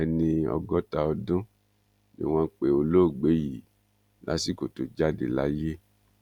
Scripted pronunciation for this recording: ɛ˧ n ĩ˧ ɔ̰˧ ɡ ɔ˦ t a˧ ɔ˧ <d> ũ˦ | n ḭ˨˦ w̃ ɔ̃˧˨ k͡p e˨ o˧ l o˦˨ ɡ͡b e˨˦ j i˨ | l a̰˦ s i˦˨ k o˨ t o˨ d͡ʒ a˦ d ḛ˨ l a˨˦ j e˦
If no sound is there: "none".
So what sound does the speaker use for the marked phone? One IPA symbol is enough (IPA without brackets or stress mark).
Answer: d